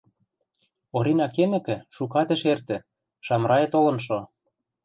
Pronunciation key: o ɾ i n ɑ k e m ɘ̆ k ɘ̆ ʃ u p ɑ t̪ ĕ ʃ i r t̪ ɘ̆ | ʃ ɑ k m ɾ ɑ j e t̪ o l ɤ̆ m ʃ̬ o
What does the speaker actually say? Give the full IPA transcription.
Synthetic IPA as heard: o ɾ i n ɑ k e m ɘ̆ k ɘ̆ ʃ u k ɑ t̪ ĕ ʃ e r t̪ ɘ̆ | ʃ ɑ m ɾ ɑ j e t̪ o l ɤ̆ n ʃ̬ o